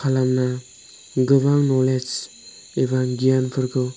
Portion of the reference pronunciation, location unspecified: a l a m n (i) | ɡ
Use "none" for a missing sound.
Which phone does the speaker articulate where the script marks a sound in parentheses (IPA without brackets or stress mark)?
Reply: a